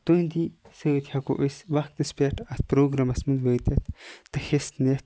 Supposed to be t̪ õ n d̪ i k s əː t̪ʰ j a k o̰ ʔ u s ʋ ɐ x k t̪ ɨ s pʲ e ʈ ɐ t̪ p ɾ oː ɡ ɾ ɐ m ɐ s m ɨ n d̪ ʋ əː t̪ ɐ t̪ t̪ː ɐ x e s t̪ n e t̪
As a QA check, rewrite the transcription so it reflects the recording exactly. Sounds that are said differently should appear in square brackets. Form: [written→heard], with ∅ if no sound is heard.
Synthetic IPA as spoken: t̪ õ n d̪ i [k→∅] s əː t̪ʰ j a k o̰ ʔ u s ʋ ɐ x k t̪ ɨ s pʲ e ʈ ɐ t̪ p ɾ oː ɡ ɾ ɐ m ɐ s m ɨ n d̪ ʋ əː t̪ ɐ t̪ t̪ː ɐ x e s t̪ n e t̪